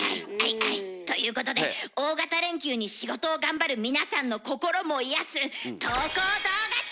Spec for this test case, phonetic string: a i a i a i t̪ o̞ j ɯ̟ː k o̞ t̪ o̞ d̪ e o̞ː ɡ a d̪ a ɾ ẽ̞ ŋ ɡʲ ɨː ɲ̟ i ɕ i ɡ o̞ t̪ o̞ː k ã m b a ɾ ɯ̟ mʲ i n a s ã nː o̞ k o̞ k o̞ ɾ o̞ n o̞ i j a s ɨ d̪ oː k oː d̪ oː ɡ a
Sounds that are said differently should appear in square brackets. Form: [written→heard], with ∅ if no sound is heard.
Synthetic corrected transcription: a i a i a i t̪ o̞ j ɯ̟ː k o̞ t̪ o̞ d̪ e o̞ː ɡ a [d̪→t̪] a ɾ ẽ̞ ŋ [ɡʲ→kʲ] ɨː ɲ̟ i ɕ i ɡ o̞ t̪ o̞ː [k→ɡ] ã m b a ɾ ɯ̟ mʲ i n a s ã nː o̞ k o̞ k o̞ ɾ o̞ [n→m] o̞ i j a s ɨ [d̪→t̪] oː k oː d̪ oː ɡ a